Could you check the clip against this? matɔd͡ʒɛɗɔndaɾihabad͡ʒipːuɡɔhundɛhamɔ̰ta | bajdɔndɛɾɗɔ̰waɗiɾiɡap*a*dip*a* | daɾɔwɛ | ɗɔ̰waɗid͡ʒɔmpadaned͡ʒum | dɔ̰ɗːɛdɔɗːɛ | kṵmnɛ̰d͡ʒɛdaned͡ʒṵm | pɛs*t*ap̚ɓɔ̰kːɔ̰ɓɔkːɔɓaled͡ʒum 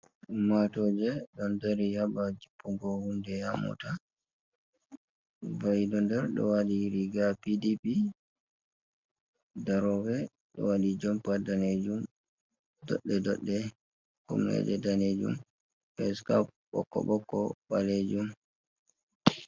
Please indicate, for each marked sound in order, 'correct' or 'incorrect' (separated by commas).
incorrect, incorrect, incorrect